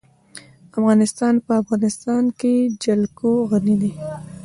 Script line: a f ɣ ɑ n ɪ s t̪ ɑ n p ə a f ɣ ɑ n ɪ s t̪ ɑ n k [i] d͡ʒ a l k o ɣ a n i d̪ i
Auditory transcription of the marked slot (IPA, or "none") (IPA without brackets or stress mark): e